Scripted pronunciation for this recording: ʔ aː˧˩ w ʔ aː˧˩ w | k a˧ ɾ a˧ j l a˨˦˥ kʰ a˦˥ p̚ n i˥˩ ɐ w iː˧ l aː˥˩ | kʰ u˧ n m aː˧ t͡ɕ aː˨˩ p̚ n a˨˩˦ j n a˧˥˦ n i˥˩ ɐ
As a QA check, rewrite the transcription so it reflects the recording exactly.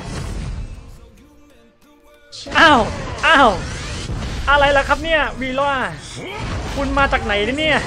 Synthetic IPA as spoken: ʔ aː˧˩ w ʔ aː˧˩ w | ʔ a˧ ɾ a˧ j l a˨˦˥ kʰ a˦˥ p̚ n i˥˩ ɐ w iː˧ l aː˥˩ | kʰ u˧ n m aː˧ t͡ɕ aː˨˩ k̚ n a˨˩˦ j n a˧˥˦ n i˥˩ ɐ